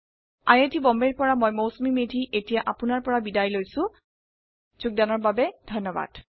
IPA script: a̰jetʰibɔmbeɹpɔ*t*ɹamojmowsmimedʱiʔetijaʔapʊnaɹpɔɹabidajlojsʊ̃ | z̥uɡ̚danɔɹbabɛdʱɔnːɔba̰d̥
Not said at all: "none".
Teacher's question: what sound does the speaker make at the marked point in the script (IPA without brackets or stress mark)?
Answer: none